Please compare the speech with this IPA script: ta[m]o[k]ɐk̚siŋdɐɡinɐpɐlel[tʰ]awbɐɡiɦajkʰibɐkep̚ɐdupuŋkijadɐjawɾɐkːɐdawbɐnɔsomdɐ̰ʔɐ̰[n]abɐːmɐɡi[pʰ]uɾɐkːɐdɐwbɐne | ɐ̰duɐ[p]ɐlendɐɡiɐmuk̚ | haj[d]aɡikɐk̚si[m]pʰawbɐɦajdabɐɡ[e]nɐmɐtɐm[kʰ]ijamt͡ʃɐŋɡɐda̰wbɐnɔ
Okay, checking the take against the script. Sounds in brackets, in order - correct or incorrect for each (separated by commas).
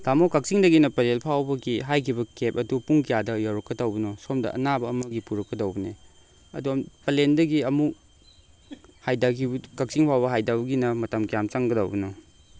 correct, correct, incorrect, correct, incorrect, correct, correct, incorrect, incorrect, incorrect